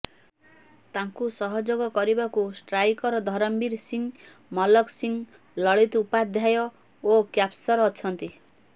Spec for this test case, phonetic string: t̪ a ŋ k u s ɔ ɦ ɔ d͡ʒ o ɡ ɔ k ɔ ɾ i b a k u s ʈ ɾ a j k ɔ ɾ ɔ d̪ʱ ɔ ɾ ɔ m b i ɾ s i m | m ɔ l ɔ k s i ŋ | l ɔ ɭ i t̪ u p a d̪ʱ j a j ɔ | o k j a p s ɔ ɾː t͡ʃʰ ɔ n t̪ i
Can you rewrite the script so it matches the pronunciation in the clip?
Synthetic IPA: t̪ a ŋ k u s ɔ ɦ ɔ d͡ʒ o ɡ ɔ k ɔ ɾ i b a k u s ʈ ɾ a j k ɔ ɾ ɔ d̪ʱ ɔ ɾ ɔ m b i ɾ s i ŋ | m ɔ l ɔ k s i ŋ | l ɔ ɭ i t̪ u p a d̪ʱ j a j ɔ | o k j a p s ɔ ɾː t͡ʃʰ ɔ n t̪ i

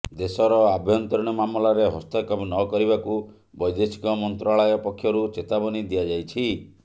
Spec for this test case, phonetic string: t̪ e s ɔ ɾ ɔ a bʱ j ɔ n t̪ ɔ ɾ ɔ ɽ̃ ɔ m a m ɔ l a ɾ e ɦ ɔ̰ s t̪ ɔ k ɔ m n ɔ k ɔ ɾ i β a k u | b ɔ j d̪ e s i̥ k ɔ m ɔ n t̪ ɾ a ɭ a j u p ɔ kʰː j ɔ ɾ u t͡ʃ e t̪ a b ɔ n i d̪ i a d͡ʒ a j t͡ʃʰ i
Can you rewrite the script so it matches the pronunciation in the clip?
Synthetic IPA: d̪ e s ɔ ɾ ɔ a bʱ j ɔ n t̪ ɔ ɾ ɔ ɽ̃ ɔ m a m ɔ l a ɾ e ɦ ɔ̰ s t̪ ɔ k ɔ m n ɔ k ɔ ɾ i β a k u | b ɔ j d̪ e s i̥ k ɔ m ɔ n t̪ ɾ a ɭ a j ɔ p ɔ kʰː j ɔ ɾ u t͡ʃ e t̪ a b ɔ n i d̪ i a d͡ʒ a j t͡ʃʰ i

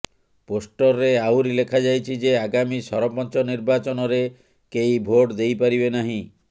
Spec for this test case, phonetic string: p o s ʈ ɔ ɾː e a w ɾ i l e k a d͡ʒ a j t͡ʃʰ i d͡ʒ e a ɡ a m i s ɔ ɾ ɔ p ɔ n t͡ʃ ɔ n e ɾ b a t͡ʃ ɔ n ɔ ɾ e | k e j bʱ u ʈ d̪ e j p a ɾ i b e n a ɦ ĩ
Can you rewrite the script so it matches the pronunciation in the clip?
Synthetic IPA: p o s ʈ ɔ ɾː e a w ɾ i l e kʰ a d͡ʒ a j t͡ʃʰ i d͡ʒ e a ɡ a m i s ɔ ɾ ɔ p ɔ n t͡ʃ ɔ n i ɾ b a t͡ʃ ɔ n ɔ ɾ e | k e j bʱ o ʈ d̪ e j p a ɾ i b e n a ɦ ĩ

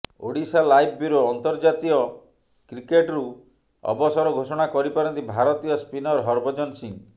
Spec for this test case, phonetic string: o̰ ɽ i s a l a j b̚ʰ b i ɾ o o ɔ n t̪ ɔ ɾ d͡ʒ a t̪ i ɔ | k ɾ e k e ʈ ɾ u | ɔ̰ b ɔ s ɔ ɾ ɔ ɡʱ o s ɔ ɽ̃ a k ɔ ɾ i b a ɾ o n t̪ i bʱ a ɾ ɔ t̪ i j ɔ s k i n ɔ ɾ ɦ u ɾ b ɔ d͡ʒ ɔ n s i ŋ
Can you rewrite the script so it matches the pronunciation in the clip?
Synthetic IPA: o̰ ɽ i s a l a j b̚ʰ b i ɾ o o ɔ n t̪ ɔ ɾ d͡ʒ a t̪ i ɔ | k ɾ i k e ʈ ɾ u | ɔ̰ b ɔ s ɔ ɾ ɔ ɡʱ o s ɔ ɽ̃ a k ɔ ɾ i p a ɾ ɔ n t̪ i bʱ a ɾ ɔ t̪ i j ɔ s p i n ɔ ɾ ɦ ɔ ɾ b ɔ d͡ʒ ɔ n s i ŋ

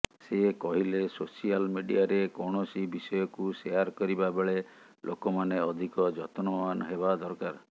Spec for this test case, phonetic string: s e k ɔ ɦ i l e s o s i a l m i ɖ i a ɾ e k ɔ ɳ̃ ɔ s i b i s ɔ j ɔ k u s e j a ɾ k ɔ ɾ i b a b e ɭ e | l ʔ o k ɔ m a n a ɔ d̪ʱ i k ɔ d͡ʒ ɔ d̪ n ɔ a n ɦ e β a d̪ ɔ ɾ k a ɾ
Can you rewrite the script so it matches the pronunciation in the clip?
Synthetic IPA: s e k ɔ ɦ i l e s o s i a l m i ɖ i a ɾ e k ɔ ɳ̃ ɔ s i b i s ɔ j ɔ k u s e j a ɾ k ɔ ɾ i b a b e ɭ e | l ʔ o k ɔ m a n e ɔ d̪ʱ i k ɔ d͡ʒ ɔ t̪ n ɔ a n ɦ e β a d̪ ɔ ɾ k a ɾ

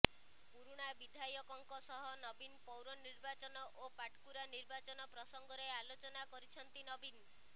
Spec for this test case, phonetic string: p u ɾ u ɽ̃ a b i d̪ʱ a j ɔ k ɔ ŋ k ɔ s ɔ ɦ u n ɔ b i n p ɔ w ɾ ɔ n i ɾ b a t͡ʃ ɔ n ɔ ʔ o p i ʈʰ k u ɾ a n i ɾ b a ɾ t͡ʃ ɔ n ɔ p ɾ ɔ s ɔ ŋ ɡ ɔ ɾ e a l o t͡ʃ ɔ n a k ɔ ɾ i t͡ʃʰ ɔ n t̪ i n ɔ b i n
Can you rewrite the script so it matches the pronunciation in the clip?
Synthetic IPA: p u ɾ u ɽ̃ a b i d̪ʱ a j ɔ k ɔ ŋ k ɔ s ɔ ɦ ɔ n ɔ b i n p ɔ w ɾ ɔ n i ɾ b a t͡ʃ ɔ n ɔ ʔ o p a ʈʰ k u ɾ a n i ɾ b a t͡ʃ ɔ n ɔ p ɾ ɔ s ɔ ŋ ɡ ɔ ɾ e a l o t͡ʃ ɔ n a k ɔ ɾ i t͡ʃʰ ɔ n t̪ i n ɔ b i n

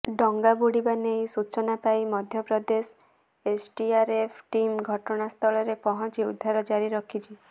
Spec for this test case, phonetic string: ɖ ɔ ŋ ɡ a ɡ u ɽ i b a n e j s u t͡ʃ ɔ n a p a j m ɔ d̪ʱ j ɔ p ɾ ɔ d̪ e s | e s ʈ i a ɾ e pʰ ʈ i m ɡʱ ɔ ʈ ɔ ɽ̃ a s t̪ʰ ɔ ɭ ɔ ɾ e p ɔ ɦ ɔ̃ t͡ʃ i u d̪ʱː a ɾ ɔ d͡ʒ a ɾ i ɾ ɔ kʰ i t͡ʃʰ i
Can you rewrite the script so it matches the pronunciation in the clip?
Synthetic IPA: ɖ ɔ ŋ ɡ a b u ɽ i b a n e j s u t͡ʃ ɔ n a p a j m ɔ d̪ʱ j ɔ p ɾ ɔ d̪ e s | e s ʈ i a ɾ e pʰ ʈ i m ɡʱ ɔ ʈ ɔ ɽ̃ a s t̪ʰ ɔ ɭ ɔ ɾ e p ɔ ɦ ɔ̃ t͡ʃ i u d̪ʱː a ɾ ɔ d͡ʒ a ɾ i ɾ ɔ kʰ i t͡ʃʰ i

